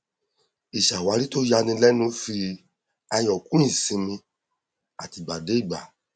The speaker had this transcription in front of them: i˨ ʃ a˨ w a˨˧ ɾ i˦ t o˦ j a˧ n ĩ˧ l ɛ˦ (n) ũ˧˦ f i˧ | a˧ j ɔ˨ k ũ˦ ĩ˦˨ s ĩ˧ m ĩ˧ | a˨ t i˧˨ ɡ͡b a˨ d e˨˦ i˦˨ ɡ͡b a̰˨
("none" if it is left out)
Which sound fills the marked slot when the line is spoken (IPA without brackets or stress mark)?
n